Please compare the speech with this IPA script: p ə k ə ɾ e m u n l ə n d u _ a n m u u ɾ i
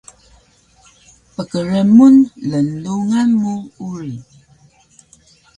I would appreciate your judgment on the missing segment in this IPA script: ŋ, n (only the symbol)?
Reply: ŋ